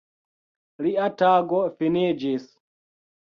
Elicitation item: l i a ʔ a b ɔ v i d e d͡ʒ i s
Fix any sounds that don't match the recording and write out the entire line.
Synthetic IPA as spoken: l i a t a ɡ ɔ f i n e d͡ʒ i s